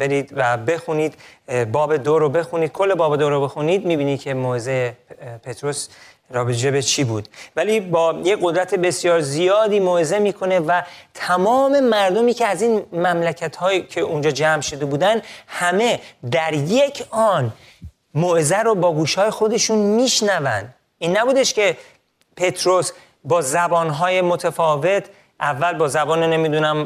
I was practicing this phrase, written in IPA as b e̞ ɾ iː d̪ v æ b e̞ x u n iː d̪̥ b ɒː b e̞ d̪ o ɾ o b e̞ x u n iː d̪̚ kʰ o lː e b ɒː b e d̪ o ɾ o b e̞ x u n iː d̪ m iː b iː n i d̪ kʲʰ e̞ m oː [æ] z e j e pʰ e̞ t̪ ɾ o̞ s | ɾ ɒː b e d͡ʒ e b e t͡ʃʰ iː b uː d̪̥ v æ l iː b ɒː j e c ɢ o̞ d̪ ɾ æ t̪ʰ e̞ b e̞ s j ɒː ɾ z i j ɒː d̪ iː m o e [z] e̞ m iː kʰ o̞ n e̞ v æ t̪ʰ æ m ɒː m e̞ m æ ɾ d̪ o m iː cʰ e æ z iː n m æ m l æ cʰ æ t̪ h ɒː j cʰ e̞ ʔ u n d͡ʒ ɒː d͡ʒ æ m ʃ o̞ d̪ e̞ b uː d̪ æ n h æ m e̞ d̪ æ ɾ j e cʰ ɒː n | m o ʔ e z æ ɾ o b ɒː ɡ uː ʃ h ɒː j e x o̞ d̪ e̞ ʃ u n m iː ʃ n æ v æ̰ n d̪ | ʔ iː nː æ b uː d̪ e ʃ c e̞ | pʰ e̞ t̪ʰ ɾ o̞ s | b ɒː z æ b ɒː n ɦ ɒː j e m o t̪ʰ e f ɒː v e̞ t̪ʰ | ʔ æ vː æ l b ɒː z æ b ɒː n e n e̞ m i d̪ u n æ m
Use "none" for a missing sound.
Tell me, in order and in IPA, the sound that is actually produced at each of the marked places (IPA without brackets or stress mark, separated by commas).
e, z